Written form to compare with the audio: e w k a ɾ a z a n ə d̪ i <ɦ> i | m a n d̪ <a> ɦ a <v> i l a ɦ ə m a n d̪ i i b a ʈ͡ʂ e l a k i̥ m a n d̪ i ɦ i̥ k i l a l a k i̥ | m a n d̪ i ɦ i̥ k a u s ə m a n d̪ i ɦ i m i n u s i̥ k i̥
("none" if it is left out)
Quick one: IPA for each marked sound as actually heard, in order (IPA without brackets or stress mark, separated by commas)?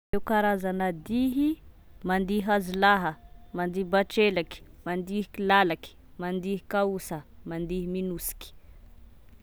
ɦ, i, z